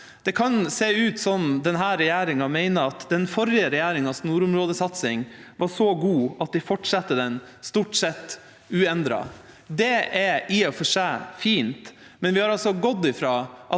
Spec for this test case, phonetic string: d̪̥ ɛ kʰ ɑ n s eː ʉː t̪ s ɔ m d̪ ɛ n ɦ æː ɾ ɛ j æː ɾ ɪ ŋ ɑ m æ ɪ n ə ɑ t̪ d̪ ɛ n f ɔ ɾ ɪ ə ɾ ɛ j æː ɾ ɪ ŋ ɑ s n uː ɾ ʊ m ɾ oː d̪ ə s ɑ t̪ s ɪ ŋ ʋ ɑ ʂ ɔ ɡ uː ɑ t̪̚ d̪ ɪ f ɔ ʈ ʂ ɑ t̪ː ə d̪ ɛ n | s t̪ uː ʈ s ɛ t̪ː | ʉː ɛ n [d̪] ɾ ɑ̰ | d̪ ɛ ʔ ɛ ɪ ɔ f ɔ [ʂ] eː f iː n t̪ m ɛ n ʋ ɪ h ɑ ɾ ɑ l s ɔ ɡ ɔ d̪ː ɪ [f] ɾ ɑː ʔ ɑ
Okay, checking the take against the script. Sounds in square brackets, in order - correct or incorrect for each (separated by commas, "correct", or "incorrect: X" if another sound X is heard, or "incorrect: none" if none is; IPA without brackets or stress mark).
correct, correct, correct